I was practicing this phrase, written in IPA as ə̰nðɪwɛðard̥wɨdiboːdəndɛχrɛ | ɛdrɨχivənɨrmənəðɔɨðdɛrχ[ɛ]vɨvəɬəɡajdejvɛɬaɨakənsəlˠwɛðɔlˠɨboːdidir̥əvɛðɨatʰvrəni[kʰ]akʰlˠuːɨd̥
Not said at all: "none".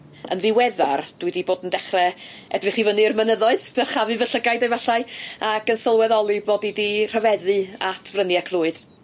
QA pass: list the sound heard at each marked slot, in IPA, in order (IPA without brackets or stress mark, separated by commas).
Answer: a, none